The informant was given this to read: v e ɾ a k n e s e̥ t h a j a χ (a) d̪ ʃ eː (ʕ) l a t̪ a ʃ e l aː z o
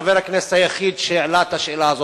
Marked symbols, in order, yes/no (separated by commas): no, yes